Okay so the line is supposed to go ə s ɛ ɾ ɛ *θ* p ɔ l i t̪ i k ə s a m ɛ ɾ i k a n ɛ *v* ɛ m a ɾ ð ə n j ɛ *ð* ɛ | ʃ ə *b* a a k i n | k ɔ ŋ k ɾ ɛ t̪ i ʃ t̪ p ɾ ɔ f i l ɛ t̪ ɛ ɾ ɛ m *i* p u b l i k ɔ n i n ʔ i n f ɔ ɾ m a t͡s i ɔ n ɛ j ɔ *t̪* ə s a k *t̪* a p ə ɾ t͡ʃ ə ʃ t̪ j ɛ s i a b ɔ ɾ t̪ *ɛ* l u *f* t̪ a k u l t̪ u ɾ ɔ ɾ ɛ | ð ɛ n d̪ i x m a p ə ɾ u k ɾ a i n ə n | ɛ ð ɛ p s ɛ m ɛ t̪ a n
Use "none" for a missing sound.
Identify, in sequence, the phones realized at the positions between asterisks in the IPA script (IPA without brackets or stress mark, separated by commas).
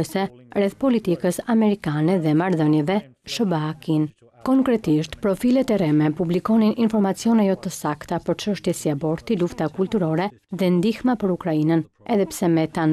θ, ð, v, b, ɛ, t̪, t̪, i, f